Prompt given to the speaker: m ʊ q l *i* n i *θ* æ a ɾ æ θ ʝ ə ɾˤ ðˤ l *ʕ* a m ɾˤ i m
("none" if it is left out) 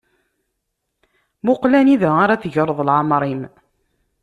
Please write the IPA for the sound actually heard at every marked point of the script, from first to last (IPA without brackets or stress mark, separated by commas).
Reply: æ, ð, ʕ